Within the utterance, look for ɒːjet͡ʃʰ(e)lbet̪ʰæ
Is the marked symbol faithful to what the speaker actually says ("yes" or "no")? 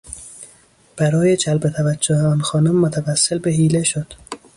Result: no